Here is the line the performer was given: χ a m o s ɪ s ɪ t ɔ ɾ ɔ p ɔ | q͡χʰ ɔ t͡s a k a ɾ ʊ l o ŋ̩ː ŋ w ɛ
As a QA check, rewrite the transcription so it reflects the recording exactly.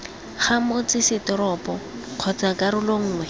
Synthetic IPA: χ a m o t͡s ɪ s ɪ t ɔ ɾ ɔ p ɔ | q͡χʰ ɔ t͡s a k a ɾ ʊ l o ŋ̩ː ŋ w ɛ

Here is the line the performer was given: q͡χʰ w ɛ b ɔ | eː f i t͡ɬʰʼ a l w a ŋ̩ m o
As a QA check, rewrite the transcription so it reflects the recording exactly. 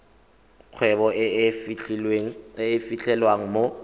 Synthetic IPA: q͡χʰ w ɛ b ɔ | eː f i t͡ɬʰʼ ɛ l w a ŋ̩ m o

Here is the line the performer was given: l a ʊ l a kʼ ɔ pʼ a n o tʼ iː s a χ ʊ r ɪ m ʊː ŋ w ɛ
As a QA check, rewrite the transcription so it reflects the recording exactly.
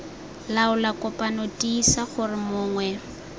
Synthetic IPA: l a ʊ l a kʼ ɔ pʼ a n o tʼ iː s a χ ʊ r ɪ m ʊː ŋ w ɛ

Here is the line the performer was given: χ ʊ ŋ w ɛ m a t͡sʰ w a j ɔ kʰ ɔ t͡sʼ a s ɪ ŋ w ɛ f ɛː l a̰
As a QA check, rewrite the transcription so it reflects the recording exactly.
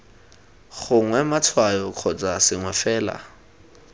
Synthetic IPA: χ ʊ ŋ w ɛ m a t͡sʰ w a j ɔ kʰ ɔ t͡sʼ a s ɪ ŋ w ɛ f ɛː l a̰

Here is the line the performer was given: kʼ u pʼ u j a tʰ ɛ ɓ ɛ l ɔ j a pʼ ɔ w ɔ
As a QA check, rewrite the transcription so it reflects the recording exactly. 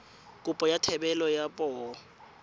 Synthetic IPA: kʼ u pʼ ɔ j a tʰ ɛ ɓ ɛ l ɔ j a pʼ ɔ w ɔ

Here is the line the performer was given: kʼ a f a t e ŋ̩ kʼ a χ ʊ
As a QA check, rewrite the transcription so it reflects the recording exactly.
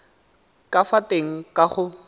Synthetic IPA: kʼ a f a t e ŋ̩ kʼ a χ ʊ

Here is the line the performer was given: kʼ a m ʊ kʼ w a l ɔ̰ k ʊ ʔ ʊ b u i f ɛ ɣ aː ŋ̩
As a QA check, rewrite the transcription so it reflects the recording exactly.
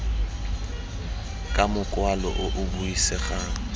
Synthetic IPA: kʼ a m ʊ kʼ w a l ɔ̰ ʔ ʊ ʔ ʊ b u i s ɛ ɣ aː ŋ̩

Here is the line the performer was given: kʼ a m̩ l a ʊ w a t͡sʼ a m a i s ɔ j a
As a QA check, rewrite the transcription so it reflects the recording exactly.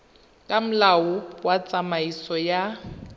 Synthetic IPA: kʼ a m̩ l a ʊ w a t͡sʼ a m a i s ɔ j a

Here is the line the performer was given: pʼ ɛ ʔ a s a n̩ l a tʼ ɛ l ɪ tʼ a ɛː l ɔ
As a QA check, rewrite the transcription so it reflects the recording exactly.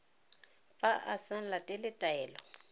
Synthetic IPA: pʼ a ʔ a s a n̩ l a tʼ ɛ l ɪ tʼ a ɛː l ɔ

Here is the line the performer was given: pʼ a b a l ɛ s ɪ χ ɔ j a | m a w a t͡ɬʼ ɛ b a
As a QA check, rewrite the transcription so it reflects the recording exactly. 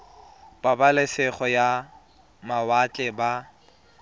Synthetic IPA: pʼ a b a l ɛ s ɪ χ ɔ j a | m a w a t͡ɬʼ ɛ b a

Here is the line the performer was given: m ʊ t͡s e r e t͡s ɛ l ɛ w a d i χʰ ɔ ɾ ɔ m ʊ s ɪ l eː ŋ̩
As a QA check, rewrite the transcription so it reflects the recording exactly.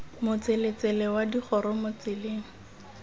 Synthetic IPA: m ʊ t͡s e l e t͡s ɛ l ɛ w a d i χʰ ɔ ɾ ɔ m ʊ t͡s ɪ l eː ŋ̩

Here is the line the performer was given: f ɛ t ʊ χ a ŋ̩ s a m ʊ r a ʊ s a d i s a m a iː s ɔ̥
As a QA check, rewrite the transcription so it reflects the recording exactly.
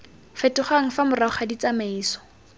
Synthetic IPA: f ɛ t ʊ χ a ŋ̩ f a m ʊ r a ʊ χ a d i t͡s a m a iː s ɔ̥

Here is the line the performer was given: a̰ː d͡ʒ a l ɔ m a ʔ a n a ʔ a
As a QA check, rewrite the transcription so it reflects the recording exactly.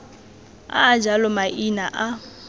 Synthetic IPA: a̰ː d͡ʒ a l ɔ m a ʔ i n a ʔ a

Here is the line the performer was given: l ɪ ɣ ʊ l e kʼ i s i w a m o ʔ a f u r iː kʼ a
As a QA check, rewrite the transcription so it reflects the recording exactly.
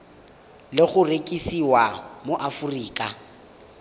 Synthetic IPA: l ɪ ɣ ʊ r e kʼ i s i w a m o ʔ a f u r iː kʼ a

